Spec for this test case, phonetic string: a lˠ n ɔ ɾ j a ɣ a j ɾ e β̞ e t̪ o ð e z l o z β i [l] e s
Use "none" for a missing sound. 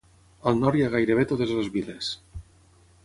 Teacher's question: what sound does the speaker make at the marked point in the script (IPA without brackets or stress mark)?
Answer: l